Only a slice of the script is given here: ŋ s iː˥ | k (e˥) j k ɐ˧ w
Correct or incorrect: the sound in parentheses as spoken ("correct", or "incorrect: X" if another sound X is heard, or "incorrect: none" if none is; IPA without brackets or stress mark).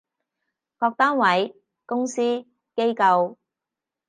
correct